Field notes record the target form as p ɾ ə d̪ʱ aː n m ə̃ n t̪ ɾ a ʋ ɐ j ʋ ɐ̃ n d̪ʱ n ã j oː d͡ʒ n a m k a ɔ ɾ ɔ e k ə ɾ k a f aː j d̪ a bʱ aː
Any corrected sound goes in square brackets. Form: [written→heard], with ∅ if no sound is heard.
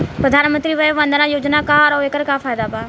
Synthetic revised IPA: p ɾ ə d̪ʱ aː n m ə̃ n t̪ ɾ [a→i] ʋ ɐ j ʋ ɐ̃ n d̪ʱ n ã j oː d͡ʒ n a [m→∅] k a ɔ ɾ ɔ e k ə ɾ k a f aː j d̪ a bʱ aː